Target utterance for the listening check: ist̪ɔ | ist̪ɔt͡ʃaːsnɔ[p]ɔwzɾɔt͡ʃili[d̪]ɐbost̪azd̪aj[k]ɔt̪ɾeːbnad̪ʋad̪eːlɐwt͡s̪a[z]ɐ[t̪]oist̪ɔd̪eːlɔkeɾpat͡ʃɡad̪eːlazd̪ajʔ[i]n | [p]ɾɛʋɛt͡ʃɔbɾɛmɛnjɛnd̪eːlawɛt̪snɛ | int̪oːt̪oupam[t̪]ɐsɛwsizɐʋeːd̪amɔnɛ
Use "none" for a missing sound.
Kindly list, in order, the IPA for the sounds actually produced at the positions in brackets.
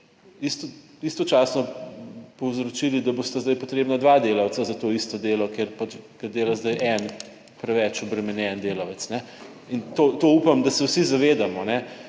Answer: p, d̪, p, z, t̪, ɛ, p, d̪

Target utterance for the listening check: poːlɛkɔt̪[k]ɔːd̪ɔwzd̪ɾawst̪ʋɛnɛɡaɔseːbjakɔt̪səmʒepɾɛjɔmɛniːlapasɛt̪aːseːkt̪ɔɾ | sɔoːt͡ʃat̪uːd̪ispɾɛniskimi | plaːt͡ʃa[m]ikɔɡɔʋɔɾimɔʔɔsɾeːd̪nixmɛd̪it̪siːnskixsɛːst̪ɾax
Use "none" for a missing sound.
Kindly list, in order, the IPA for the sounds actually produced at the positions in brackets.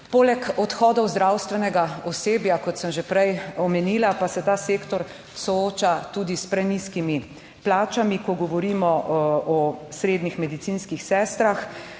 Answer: x, m

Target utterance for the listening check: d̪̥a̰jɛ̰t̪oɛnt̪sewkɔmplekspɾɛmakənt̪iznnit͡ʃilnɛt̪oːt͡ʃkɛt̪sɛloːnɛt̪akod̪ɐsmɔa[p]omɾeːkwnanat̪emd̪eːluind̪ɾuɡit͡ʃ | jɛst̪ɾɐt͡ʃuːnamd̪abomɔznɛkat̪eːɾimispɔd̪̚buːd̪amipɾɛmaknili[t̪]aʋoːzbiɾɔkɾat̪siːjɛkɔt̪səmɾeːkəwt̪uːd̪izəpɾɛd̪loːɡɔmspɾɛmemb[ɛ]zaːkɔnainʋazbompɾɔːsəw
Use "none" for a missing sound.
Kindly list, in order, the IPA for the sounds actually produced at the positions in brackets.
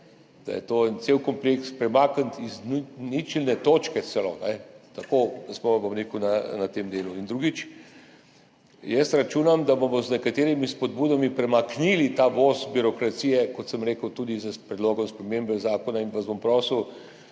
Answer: b, t̪, ɛ

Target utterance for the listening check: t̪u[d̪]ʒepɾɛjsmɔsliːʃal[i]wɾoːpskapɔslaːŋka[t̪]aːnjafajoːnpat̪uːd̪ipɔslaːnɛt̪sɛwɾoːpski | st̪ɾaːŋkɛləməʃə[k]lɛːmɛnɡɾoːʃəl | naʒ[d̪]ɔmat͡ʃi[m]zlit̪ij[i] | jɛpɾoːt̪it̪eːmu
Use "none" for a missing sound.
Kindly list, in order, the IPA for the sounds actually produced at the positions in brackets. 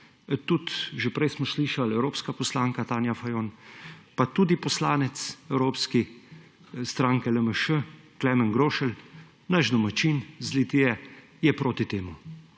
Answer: t̪, ɛ, t̪, k, d̪, n, ɛ

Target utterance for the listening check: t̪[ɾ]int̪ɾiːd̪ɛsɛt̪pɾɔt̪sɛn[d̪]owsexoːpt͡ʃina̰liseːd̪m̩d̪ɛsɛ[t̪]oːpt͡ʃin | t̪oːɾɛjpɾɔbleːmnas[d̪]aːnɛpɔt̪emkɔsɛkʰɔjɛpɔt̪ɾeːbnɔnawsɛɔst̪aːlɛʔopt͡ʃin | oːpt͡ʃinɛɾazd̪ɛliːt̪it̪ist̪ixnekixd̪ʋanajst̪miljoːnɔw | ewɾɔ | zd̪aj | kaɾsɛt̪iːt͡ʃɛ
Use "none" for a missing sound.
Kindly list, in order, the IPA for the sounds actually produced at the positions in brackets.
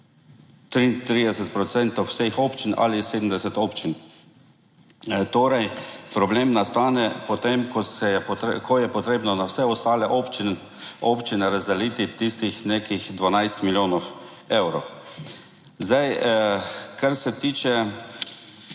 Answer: ɾ, t̪, t̪, t̪

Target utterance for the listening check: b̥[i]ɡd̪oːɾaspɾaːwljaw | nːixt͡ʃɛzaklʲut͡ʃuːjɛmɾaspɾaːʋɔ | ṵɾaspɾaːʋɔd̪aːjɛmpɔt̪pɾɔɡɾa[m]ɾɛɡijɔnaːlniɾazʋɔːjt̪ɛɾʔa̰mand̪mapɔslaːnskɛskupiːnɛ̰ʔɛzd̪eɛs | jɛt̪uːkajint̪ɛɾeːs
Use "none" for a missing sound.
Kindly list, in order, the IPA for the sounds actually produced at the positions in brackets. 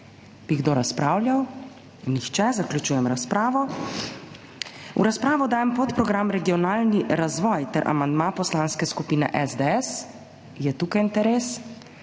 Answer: i, m

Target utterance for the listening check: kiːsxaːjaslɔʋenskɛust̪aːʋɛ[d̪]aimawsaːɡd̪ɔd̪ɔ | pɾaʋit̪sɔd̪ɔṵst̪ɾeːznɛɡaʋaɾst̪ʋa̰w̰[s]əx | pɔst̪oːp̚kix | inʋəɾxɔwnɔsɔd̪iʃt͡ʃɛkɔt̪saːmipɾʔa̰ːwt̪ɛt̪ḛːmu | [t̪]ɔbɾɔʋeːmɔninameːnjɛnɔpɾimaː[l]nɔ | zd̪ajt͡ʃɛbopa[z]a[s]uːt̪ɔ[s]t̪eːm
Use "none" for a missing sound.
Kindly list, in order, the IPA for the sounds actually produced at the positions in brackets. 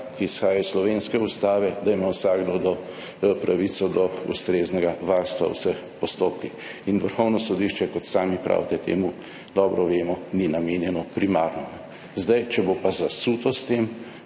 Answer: d̪, s, d̪, ɾ, z, s, s

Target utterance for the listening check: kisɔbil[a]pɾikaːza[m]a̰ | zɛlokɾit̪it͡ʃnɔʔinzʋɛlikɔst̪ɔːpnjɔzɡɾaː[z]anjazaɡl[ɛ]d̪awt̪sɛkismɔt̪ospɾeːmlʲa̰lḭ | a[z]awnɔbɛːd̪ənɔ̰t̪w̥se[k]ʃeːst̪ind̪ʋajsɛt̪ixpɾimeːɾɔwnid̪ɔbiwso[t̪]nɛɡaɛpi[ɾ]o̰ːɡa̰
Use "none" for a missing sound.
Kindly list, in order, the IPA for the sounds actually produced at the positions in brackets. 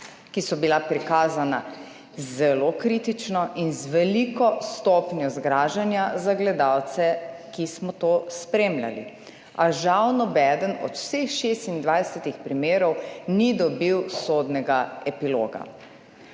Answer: a, n, ʒ, ɛ, ʒ, x, d̪, l

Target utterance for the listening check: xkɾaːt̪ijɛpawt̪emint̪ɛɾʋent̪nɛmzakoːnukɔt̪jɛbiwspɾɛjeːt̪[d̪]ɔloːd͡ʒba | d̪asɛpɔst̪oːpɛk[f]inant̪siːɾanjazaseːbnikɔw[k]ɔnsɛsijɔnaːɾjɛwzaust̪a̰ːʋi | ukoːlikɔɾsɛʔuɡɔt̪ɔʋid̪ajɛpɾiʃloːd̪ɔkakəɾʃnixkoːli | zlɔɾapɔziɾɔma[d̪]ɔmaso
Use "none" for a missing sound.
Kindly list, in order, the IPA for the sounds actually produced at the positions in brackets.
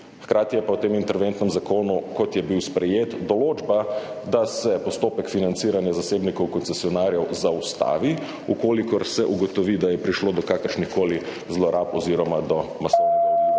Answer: d̪, f, k, d̪

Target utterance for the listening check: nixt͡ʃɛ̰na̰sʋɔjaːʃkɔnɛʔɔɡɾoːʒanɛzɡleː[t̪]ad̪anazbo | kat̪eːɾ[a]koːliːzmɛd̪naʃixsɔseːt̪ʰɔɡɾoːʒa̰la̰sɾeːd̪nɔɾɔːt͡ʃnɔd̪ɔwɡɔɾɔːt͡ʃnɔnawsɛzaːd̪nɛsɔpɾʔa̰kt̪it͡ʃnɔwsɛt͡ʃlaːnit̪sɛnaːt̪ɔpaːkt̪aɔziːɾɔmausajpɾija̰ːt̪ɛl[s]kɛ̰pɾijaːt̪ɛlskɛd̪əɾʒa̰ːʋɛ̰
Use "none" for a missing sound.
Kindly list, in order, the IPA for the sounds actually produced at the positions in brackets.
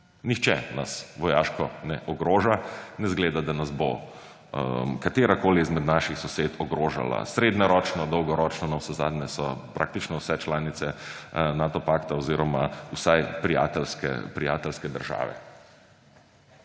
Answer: d̪, a, s

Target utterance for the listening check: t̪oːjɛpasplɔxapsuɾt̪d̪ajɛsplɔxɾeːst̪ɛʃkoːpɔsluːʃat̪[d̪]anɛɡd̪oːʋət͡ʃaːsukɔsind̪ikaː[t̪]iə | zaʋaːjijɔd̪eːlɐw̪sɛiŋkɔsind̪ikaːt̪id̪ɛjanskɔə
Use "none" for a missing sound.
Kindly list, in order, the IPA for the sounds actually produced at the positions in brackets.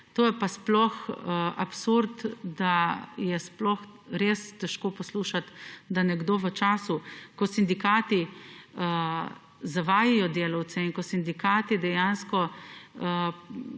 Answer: d̪, t̪

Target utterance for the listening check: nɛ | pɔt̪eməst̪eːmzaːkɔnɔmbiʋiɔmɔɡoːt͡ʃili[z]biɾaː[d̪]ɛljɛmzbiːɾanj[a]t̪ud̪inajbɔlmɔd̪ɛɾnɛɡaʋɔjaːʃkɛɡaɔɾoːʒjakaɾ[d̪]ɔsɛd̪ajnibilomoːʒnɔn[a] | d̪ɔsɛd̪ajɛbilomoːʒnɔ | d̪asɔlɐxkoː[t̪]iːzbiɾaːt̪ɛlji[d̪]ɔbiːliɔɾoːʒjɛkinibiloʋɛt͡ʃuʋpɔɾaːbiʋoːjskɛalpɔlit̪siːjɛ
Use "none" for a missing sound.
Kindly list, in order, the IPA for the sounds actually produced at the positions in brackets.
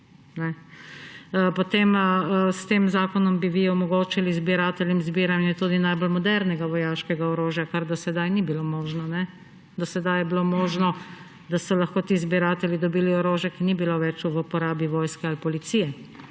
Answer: z, t̪, ɛ, d̪, ɛ, t̪, d̪

